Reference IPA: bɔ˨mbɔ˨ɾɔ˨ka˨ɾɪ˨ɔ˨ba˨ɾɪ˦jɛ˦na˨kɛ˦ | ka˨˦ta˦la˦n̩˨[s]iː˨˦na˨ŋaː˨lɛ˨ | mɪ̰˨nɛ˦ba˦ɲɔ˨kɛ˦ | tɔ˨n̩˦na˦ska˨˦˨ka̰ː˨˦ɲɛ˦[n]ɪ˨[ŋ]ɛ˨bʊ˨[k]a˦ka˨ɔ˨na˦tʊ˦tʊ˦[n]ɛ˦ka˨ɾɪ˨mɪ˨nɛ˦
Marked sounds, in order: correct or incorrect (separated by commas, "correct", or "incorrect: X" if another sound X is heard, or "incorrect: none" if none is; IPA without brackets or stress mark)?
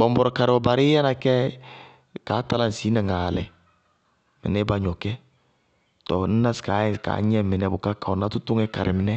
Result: correct, incorrect: m, incorrect: n, correct, incorrect: ŋ